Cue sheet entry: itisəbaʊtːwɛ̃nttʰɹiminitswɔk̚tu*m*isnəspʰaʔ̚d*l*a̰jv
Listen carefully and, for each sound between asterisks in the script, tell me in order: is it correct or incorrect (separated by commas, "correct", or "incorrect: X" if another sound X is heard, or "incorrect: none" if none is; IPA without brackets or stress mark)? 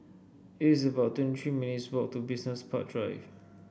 incorrect: b, incorrect: ɹ